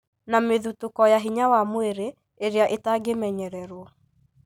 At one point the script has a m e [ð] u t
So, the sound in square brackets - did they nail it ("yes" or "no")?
yes